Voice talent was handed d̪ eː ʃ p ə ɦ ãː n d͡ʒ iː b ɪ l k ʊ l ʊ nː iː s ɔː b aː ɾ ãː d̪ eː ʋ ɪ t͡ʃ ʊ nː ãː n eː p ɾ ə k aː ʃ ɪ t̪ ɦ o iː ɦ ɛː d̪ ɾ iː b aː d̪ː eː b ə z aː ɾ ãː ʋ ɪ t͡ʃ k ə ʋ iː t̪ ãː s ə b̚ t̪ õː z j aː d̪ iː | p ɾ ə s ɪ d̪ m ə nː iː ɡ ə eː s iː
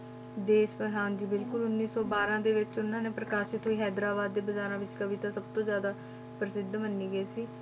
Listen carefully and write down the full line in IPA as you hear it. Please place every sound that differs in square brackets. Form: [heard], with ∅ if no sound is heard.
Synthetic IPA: d̪ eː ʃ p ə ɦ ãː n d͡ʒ iː b ɪ l k ʊ l ʊ nː iː s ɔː b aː ɾ ãː d̪ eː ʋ ɪ t͡ʃ ʊ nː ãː n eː p ɾ ə k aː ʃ ɪ t̪ ɦ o iː ɦ ɛː d̪ ɾ [aː] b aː d̪ː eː b ə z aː ɾ ãː ʋ ɪ t͡ʃ k ə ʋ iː t̪ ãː s ə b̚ t̪ õː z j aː d̪ [aː] | p ɾ ə s ɪ d̪ m ə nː iː ɡ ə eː s iː